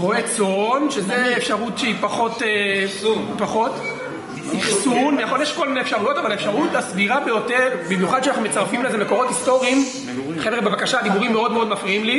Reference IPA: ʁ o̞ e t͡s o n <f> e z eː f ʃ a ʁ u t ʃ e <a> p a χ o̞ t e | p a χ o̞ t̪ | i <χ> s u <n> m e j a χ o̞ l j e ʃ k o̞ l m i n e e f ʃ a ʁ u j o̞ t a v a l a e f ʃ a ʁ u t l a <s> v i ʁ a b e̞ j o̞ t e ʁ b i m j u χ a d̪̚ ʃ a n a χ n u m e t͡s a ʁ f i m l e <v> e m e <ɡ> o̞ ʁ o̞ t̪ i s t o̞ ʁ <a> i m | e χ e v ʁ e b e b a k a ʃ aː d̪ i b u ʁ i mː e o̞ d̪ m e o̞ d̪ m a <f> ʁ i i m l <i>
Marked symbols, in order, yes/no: no, no, yes, yes, yes, no, no, no, yes, yes

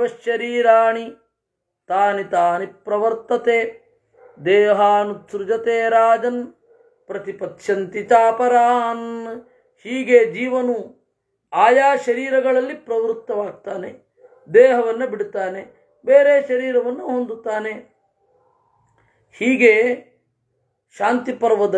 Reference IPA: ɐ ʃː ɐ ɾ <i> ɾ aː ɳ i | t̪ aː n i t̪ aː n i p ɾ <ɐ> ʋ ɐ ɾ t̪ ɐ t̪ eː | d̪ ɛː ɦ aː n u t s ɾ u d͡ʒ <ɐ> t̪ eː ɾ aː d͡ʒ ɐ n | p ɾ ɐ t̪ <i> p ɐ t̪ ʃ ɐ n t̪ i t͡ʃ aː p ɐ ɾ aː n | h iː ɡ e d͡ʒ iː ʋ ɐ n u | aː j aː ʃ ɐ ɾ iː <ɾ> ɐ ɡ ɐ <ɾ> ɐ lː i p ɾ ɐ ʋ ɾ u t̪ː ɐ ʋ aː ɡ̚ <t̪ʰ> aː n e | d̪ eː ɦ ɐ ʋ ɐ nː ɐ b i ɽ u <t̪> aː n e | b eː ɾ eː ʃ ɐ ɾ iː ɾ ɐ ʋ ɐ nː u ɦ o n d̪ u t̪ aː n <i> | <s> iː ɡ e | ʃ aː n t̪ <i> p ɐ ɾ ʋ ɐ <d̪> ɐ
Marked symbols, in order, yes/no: no, yes, yes, yes, yes, no, no, yes, no, no, yes, yes

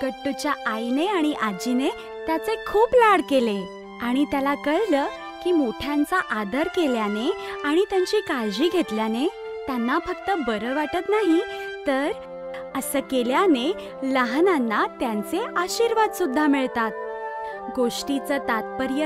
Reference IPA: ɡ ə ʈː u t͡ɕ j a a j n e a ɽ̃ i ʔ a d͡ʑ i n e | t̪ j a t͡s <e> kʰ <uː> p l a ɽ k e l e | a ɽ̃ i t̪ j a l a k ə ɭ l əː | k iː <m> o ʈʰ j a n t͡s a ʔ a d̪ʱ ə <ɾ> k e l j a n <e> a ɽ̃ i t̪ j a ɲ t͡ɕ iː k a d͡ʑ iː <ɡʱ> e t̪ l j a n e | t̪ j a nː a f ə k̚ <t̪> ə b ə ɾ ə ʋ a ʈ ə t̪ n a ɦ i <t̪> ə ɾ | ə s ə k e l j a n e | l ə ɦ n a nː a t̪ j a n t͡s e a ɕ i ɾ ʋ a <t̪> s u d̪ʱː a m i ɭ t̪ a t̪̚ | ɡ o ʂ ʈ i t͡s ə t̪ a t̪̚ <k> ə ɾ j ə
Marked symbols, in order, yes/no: yes, yes, yes, yes, yes, yes, yes, yes, no, no

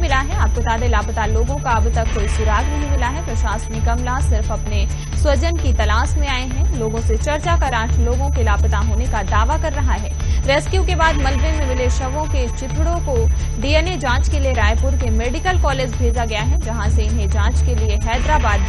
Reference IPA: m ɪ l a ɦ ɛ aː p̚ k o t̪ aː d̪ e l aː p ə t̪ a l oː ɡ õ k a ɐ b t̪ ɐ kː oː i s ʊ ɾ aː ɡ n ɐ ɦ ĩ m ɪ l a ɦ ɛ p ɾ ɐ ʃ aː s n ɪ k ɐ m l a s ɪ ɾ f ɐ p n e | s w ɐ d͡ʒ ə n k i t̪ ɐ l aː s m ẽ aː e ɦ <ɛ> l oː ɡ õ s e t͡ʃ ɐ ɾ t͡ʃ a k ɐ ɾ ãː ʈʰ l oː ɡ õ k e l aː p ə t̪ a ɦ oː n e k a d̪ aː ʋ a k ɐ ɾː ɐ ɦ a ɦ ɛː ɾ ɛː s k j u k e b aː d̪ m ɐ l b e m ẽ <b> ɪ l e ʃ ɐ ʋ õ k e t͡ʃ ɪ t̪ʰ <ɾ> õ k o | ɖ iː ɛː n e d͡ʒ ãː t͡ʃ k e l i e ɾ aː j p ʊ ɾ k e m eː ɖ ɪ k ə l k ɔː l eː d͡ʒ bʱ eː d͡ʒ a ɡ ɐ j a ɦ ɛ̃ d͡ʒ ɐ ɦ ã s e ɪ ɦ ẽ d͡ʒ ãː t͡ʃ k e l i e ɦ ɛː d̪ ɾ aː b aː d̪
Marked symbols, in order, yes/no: no, no, no

